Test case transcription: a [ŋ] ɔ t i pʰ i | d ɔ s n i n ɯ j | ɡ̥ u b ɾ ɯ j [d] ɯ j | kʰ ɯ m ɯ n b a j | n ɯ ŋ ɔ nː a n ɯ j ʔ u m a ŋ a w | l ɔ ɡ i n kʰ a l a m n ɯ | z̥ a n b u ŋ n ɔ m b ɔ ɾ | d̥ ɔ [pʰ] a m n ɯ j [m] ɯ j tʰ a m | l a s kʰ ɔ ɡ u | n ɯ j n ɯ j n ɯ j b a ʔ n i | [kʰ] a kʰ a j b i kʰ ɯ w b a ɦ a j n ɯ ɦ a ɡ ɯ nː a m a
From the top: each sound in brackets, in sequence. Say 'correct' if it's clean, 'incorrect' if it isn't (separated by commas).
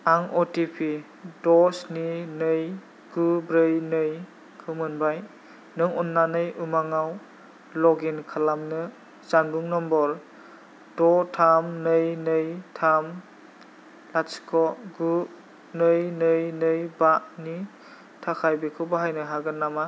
correct, incorrect, incorrect, incorrect, incorrect